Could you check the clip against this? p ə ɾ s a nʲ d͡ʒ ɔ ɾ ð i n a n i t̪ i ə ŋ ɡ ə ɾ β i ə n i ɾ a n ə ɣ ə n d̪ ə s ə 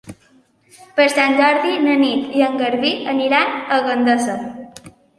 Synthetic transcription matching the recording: p ə ɾ s a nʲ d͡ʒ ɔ ɾ ð i n ə n i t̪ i ə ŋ ɡ ə ɾ β i ə n i ɾ a n ə ɣ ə n d̪ ə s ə